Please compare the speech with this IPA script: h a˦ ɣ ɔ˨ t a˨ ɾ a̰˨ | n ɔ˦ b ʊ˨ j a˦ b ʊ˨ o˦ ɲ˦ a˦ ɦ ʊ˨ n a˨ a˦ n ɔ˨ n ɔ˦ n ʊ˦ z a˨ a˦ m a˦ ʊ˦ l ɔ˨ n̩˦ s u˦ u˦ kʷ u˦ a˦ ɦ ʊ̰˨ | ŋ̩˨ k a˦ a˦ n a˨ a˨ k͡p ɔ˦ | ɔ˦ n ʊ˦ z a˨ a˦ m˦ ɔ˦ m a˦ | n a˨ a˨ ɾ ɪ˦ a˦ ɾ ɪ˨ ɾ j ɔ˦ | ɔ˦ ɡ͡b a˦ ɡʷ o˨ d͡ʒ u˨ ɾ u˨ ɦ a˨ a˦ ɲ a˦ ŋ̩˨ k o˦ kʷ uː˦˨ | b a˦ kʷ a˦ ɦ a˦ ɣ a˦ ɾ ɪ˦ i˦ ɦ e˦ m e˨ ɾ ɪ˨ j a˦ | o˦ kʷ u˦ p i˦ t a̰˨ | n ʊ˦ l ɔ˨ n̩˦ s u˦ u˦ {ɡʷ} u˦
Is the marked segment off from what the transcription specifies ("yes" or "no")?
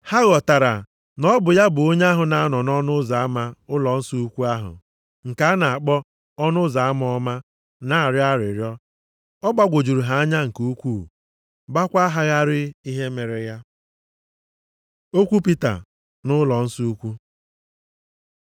yes